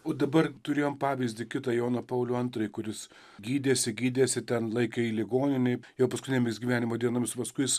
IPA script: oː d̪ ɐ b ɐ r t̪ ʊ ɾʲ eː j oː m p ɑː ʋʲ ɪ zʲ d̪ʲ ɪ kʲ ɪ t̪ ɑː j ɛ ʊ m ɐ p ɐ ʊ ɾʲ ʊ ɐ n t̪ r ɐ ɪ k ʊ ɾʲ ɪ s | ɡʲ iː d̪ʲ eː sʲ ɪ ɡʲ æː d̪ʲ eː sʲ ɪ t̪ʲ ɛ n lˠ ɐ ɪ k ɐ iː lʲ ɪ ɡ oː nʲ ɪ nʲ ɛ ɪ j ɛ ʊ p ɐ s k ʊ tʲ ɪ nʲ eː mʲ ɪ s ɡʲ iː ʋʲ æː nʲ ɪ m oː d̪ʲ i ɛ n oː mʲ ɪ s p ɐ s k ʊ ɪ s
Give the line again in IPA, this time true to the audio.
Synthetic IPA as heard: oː d̪ ɐ b ɐ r t̪ ʊ ɾʲ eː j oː m p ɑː ʋʲ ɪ zʲ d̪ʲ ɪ kʲ ɪ t̪ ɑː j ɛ ʊ n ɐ p ɐ ʊ lʲ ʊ ɐ n t̪ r ɐ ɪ k ʊ ɾʲ ɪ s | ɡʲ iː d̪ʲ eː sʲ ɪ ɡʲ iː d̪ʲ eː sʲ ɪ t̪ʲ ɛ n lˠ ɐ ɪ k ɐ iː lʲ ɪ ɡ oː nʲ ɪ nʲ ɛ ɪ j ɛ ʊ p ɐ s k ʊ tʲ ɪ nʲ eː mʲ ɪ s ɡʲ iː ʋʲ æː nʲ ɪ m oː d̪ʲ i ɛ n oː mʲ ɪ s p ɐ s k ʊ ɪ s